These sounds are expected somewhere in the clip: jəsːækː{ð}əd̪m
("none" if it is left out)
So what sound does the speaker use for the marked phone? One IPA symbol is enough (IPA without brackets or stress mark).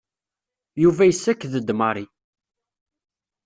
ð